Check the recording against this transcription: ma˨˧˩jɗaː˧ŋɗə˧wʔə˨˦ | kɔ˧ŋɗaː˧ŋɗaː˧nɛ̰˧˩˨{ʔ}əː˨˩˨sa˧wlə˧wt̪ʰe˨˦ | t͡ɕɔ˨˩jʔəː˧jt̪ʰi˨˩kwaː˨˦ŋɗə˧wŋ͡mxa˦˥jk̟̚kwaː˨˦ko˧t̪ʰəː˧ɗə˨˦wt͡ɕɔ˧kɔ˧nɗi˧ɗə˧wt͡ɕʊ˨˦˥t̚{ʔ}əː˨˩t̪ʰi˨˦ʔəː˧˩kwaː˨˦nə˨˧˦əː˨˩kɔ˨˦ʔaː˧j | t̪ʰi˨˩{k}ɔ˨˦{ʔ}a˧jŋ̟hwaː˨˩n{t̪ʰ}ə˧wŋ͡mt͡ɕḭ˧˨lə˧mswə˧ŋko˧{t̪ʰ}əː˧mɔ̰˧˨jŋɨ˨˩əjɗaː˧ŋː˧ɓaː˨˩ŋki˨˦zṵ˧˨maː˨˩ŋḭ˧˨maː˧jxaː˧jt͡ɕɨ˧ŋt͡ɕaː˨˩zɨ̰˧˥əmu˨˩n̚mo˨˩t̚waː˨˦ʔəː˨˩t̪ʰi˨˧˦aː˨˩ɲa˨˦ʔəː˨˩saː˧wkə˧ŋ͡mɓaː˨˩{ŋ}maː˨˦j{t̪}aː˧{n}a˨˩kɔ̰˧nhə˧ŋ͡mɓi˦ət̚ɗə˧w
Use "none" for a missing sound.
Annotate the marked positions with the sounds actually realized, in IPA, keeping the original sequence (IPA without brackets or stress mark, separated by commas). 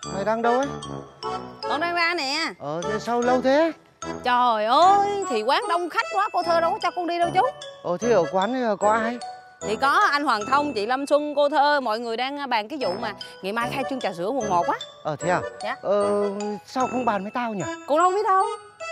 ʔ, ʔ, k, ʔ, t̪ʰ, t̪ʰ, n, t̪, ɲ